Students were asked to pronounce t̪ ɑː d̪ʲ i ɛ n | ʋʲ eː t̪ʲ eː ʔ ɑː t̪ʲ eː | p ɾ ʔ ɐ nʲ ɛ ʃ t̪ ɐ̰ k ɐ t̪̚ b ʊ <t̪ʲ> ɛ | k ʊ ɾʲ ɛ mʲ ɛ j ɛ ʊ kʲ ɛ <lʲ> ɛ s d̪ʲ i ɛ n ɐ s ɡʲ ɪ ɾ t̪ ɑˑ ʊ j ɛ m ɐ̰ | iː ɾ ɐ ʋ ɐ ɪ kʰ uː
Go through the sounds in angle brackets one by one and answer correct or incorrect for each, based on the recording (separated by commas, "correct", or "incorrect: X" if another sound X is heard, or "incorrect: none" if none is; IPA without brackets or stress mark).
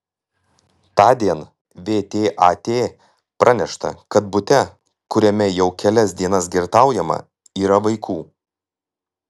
correct, correct